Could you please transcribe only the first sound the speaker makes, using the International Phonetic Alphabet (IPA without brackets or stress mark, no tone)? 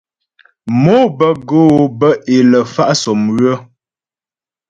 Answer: m